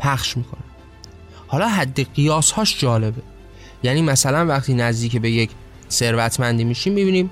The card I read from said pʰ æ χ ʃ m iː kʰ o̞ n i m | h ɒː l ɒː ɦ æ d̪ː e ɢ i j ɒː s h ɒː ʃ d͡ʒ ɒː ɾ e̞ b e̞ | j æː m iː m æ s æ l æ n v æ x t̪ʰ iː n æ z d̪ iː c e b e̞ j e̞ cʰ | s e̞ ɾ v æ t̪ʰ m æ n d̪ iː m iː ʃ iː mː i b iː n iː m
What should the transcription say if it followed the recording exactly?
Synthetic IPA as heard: pʰ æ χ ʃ m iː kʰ o̞ n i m | h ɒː l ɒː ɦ æ d̪ː e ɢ i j ɒː s h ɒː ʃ d͡ʒ ɒː l e̞ b e̞ | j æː n iː m æ s æ l æ n v æ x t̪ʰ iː n æ z d̪ iː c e b e̞ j e̞ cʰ | s e̞ ɾ v æ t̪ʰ m æ n d̪ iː m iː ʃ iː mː i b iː n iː m